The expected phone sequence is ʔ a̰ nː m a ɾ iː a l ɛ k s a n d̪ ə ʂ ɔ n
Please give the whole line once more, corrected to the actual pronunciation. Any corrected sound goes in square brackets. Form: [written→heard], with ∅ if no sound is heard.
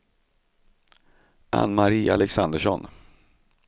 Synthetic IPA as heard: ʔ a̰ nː m a ɾ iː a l ɛ k s a n d̪ ə ʂ ɔ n